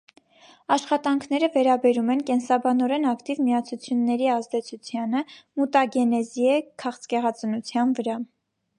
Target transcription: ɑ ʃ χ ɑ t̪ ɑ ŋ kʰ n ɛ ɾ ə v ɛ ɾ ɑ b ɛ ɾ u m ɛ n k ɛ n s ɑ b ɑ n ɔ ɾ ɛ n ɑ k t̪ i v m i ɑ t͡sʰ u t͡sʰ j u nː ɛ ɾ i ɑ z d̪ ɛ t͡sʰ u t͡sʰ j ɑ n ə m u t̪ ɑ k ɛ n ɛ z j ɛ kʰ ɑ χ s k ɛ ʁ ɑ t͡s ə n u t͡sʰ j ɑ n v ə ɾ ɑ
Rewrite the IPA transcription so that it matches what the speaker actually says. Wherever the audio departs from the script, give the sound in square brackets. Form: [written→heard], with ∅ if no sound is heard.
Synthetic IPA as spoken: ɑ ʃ χ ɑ t̪ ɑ ŋ kʰ n ɛ ɾ ə v ɛ ɾ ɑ b ɛ ɾ u m ɛ n k ɛ n s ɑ b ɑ n ɔ ɾ ɛ n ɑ k t̪ i v m i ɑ t͡sʰ u t͡sʰ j u nː ɛ ɾ i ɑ z d̪ ɛ t͡sʰ u t͡sʰ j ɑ n ə m u t̪ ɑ [k→ɡ] ɛ n ɛ z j ɛ kʰ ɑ χ [s→t͡s] k ɛ ʁ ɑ t͡s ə n u t͡sʰ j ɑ n v ə ɾ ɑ

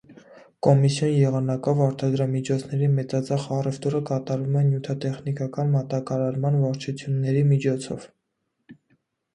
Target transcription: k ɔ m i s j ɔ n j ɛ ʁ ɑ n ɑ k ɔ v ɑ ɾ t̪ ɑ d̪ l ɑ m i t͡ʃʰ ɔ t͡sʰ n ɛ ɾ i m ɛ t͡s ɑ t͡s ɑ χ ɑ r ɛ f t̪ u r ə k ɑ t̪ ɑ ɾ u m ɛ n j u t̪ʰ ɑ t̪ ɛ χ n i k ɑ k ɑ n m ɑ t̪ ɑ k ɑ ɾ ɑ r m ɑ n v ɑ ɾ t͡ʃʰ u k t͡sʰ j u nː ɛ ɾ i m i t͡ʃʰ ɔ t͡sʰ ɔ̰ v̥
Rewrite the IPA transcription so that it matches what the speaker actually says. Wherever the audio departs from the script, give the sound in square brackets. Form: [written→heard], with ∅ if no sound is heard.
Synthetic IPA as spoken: k ɔ m i s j ɔ n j ɛ ʁ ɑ n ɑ k ɔ v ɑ ɾ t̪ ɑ d̪ [l→ɾ] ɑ m i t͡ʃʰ ɔ t͡sʰ n ɛ ɾ i m ɛ t͡s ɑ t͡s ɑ χ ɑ r ɛ f t̪ u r ə k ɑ t̪ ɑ ɾ u m ɛ n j u t̪ʰ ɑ t̪ ɛ χ n i k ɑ k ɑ n m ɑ t̪ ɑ k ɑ ɾ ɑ [r→ɾ] m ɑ n v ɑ ɾ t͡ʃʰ u [k→∅] t͡sʰ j u nː ɛ ɾ i m i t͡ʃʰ ɔ t͡sʰ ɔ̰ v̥

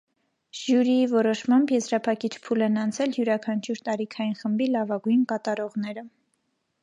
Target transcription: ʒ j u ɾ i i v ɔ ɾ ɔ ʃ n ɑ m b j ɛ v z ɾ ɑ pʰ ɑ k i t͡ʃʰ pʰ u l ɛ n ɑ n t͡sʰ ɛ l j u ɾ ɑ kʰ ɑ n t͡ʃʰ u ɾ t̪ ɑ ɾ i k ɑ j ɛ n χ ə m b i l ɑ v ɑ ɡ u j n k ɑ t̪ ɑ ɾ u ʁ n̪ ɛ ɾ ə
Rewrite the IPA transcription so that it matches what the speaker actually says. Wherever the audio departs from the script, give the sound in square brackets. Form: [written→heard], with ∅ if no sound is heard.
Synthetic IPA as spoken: ʒ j u ɾ i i v ɔ ɾ ɔ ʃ [n→m] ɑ m b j ɛ [v→∅] z ɾ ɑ pʰ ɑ k i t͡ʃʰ pʰ u l ɛ n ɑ n t͡sʰ ɛ l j u ɾ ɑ kʰ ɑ n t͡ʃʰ u ɾ t̪ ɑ ɾ i [k→kʰ] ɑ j [ɛ→i] n χ ə m b i l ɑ v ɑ ɡ u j n k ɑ t̪ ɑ ɾ [u→ɔ] ʁ n̪ ɛ ɾ ə

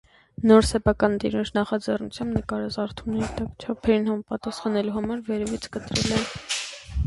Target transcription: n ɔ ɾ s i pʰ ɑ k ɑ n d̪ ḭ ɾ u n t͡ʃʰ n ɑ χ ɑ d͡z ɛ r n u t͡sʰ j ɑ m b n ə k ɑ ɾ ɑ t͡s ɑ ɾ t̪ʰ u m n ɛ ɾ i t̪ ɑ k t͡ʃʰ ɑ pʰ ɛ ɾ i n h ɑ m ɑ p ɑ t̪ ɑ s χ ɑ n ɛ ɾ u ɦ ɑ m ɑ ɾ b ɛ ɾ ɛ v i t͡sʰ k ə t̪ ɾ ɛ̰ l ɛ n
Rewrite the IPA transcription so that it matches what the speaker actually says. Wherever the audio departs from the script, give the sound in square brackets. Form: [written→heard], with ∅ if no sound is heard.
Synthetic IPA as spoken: n ɔ ɾ s [i→ɛ] pʰ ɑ k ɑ n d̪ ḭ ɾ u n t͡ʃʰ n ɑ χ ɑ d͡z ɛ r n u t͡sʰ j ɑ m b n ə k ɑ ɾ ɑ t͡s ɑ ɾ t̪ʰ u m n ɛ ɾ i t̪ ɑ k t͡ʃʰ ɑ pʰ ɛ ɾ i n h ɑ m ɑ p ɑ t̪ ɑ s χ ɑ n ɛ [ɾ→l] u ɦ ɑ m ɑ ɾ [b→v] ɛ ɾ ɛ v i t͡sʰ k ə t̪ ɾ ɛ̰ l ɛ n

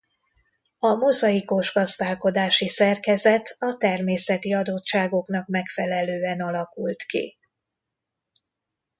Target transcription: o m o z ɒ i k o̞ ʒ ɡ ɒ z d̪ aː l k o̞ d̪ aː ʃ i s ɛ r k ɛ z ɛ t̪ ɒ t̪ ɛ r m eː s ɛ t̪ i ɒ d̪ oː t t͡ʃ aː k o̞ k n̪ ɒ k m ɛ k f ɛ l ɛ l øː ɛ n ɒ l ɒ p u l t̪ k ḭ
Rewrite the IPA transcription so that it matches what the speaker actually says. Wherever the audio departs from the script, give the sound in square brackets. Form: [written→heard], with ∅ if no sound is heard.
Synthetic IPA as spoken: [o→ɒ] m o z ɒ i k o̞ ʒ ɡ ɒ z d̪ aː l k o̞ d̪ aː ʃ i s ɛ r k ɛ z ɛ t̪ ɒ t̪ ɛ r m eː s ɛ t̪ i ɒ d̪ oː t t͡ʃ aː [k→ɡ] o̞ k n̪ ɒ k m ɛ k f ɛ l ɛ l øː ɛ n ɒ l ɒ [p→k] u l t̪ k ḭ

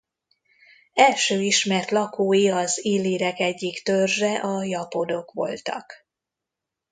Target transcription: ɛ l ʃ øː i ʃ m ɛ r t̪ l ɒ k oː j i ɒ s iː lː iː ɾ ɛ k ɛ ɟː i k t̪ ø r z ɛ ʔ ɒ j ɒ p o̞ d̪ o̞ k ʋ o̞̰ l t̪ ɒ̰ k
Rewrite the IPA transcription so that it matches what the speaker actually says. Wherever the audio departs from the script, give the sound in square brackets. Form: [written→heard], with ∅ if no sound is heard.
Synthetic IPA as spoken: ɛ l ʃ øː i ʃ m ɛ r t̪ l ɒ k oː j i ɒ [s→z] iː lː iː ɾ ɛ k ɛ ɟː i k t̪ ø r [z→ʒ] ɛ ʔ ɒ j ɒ p o̞ d̪ o̞ k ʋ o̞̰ l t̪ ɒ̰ k

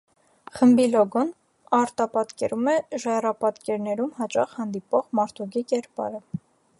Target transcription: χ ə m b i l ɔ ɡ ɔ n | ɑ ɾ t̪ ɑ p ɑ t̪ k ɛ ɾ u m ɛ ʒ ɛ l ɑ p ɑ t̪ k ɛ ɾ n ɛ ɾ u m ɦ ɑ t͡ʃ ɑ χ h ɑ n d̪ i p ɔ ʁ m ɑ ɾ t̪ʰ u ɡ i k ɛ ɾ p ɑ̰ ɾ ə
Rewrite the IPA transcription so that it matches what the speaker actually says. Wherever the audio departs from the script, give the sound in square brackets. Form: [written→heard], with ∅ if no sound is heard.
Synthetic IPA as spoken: χ ə m b i l ɔ ɡ ɔ n | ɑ ɾ t̪ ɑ p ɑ t̪ k ɛ ɾ u m ɛ ʒ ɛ [l→r] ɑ p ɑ t̪ k ɛ ɾ n ɛ ɾ u m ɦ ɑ t͡ʃ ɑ χ h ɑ n d̪ i p ɔ ʁ m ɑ ɾ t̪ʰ u ɡ i k ɛ ɾ p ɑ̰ ɾ ə

